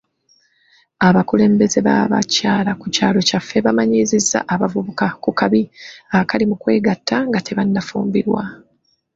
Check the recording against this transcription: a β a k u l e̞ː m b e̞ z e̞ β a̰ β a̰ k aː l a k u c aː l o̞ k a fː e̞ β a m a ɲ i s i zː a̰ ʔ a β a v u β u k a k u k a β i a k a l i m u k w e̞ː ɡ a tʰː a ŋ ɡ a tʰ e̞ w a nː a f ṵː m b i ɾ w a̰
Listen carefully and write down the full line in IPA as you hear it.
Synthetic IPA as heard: a β a k u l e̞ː m b e̞ z e̞ β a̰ β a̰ c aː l a k u c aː l o̞ c a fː e̞ β a m a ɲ i z i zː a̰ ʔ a β a v u β u k a k u k a β i a k a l i m u k w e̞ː ɡ a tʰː a ŋ ɡ a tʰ e̞ β a nː a f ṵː m b i ɾ w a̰